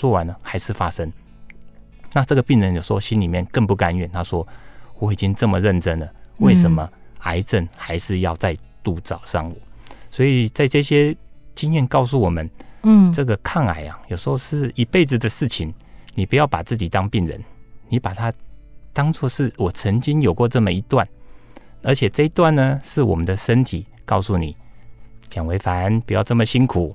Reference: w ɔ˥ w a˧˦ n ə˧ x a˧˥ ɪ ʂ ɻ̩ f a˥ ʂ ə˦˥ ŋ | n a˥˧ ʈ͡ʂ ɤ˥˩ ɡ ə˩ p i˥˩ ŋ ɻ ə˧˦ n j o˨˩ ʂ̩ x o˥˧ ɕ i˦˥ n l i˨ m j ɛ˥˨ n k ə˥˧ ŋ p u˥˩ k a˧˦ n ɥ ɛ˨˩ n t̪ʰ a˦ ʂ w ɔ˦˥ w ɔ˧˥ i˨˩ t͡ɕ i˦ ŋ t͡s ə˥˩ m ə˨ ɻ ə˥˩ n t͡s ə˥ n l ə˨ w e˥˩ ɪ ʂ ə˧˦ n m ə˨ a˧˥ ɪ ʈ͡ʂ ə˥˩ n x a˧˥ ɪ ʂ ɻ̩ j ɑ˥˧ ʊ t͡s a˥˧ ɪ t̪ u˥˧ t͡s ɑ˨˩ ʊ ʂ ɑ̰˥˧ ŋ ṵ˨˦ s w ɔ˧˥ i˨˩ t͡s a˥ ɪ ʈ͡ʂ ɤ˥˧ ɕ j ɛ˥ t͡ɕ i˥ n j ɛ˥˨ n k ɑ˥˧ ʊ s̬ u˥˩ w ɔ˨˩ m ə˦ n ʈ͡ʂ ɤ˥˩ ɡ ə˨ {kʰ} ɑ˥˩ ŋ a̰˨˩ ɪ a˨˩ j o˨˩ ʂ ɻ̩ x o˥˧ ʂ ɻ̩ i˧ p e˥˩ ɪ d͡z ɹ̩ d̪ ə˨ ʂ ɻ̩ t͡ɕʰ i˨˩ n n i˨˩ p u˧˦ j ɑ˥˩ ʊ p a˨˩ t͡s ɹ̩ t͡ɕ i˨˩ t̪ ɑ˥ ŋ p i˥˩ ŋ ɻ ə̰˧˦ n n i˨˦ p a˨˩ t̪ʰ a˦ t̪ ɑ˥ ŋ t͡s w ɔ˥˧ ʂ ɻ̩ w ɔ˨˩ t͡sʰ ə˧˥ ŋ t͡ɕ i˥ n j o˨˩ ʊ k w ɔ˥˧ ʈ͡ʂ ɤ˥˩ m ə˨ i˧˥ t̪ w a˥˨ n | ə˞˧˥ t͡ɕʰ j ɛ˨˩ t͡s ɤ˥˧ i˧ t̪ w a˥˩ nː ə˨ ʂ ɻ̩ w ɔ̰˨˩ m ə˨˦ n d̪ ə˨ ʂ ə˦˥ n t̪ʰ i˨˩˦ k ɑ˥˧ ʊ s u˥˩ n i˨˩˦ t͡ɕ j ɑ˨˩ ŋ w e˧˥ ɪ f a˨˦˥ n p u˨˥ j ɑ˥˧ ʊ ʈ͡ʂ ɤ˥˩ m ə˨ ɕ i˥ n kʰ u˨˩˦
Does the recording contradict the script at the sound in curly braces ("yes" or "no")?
no